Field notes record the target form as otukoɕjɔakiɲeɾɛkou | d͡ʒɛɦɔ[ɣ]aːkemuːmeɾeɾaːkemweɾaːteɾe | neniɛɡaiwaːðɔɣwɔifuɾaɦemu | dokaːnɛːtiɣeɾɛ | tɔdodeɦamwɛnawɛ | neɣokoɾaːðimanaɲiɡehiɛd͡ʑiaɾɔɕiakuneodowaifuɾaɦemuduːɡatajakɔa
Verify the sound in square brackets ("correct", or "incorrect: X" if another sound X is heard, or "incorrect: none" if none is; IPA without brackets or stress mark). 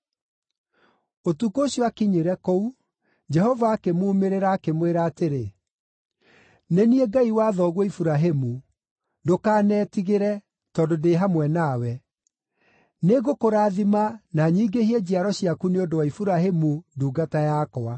incorrect: v